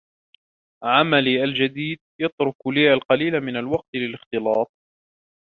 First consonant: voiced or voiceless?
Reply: voiced